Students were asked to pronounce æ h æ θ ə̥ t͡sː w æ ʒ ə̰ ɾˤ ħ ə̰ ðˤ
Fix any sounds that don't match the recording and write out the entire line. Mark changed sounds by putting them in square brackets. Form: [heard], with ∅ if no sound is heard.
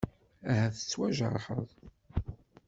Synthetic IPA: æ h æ θ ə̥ t͡sː w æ ʒ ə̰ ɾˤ ħ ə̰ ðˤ